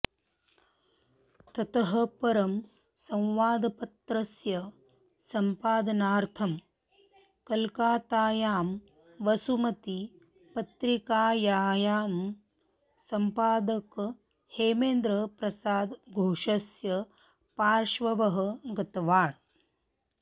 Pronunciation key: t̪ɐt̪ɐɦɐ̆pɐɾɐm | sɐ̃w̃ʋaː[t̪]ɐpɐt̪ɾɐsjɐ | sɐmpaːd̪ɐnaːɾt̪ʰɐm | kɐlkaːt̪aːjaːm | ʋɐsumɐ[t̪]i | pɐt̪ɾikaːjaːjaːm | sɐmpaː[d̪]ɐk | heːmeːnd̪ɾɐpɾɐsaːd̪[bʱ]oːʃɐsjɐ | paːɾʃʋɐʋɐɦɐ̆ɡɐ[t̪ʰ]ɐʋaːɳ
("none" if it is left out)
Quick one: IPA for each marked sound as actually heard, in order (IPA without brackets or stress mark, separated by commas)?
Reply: d̪, t̪, d̪, ɡʱ, t̪